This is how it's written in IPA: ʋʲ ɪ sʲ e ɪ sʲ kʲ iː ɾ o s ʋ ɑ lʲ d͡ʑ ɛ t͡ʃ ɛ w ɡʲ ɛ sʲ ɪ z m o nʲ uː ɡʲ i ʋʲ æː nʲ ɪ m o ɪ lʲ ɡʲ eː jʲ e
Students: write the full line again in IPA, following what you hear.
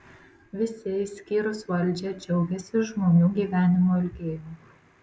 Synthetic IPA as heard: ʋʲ ɪ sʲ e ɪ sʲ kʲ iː ɾ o s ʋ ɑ lʲ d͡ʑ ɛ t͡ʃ ɛ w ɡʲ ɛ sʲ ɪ ʒ m o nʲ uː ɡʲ i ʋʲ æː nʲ ɪ m o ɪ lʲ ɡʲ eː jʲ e